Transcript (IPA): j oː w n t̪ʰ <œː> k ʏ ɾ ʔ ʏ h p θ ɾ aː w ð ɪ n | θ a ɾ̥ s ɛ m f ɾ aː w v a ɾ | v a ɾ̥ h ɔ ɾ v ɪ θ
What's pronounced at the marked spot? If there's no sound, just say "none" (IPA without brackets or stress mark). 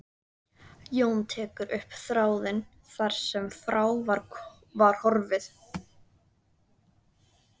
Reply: ɛː